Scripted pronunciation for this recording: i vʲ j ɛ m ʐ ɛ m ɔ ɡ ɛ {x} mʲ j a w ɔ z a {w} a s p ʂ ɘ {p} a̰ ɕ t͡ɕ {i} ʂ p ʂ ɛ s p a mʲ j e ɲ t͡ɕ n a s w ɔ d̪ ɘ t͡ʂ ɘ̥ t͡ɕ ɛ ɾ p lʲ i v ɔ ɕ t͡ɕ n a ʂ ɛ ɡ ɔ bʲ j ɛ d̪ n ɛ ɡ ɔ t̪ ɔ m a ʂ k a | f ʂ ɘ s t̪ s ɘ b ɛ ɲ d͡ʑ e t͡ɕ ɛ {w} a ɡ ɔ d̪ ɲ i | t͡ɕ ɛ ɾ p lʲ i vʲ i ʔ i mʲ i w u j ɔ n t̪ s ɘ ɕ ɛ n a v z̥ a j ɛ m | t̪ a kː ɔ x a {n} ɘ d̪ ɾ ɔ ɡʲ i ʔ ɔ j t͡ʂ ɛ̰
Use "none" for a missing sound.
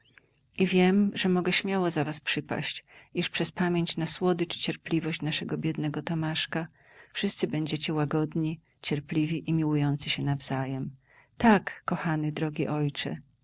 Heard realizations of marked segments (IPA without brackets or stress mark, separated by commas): ɕ, v, p, i, w, n